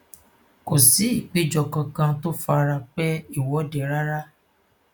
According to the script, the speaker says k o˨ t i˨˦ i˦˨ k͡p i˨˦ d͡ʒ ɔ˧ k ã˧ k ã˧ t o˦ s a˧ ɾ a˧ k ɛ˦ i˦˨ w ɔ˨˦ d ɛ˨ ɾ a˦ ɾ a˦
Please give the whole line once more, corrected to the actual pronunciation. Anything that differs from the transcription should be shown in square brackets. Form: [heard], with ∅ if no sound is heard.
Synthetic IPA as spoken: k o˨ [s] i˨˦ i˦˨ k͡p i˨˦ d͡ʒ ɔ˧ k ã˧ k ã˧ t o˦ [f] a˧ ɾ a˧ [k͡p] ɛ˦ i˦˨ w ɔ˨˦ d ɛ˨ ɾ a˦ ɾ a˦

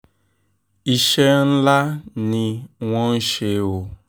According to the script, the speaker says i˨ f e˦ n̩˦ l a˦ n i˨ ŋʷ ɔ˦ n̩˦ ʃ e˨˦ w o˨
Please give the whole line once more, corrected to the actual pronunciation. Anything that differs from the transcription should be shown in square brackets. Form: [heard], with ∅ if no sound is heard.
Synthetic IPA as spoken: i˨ [ʃ] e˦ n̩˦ l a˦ n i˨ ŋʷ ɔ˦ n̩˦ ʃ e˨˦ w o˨

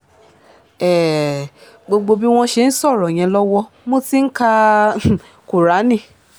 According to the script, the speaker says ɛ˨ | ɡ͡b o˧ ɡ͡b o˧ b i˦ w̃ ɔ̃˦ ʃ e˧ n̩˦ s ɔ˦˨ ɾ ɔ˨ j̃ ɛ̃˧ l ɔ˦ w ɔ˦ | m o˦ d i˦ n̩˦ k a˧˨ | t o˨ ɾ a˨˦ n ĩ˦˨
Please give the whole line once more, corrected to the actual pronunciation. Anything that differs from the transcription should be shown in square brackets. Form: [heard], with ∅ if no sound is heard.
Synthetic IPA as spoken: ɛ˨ | ɡ͡b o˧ ɡ͡b o˧ b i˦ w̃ ɔ̃˦ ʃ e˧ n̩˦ s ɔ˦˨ ɾ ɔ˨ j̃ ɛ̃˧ l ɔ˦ w ɔ˦ | m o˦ [t] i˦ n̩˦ k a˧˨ | [k] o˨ ɾ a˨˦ n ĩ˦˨

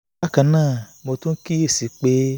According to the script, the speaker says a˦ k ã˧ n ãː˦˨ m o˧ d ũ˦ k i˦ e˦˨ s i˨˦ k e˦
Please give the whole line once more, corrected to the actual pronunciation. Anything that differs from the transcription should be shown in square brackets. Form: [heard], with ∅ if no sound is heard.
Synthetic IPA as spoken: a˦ k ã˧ n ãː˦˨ m o˧ [t] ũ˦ k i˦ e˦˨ s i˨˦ [k͡p] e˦

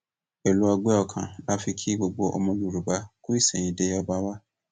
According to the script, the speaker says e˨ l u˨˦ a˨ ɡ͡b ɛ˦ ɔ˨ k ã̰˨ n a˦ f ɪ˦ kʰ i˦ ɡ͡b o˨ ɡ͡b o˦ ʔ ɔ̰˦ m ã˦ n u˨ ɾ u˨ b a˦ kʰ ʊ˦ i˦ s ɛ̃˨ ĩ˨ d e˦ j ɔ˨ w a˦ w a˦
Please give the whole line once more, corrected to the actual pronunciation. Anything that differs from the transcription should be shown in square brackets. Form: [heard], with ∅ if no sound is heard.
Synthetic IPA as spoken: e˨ l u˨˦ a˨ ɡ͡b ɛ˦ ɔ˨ [kʰ] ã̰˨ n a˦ f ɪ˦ kʰ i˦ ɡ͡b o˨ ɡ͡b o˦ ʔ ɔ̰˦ m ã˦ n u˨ ɾ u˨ b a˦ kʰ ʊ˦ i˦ s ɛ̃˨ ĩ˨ d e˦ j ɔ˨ [b] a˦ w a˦

